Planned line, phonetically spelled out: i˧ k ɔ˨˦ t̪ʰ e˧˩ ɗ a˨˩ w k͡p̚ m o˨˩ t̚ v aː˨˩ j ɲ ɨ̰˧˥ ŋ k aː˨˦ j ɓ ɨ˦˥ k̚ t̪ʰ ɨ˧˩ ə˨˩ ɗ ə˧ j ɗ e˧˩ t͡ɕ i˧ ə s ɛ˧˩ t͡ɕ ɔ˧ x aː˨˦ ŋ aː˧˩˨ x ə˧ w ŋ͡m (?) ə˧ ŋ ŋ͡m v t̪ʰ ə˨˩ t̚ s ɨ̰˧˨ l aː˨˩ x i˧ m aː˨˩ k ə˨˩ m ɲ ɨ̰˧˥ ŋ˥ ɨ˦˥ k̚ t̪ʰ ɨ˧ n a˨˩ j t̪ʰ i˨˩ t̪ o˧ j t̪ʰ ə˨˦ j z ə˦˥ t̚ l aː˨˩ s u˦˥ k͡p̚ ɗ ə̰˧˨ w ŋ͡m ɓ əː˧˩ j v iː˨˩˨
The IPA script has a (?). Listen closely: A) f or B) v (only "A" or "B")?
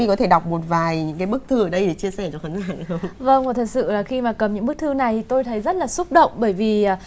B